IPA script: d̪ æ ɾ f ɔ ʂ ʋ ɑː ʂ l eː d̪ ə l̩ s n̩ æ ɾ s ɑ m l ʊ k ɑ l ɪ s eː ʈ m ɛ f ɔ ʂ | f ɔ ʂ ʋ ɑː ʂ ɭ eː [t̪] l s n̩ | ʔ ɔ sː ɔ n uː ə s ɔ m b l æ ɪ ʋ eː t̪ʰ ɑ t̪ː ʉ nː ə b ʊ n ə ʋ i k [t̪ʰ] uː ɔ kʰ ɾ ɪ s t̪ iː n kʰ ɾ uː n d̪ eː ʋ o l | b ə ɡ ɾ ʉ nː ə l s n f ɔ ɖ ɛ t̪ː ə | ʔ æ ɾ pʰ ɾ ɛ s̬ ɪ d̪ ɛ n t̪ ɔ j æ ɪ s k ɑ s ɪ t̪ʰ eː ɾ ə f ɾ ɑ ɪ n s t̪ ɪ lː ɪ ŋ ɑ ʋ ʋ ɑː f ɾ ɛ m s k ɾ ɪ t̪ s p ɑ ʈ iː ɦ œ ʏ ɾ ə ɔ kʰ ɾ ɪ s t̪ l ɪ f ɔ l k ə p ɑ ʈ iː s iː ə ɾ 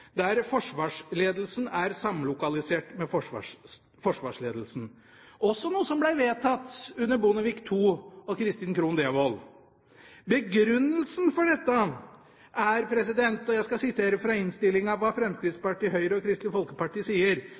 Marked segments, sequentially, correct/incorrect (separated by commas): incorrect, correct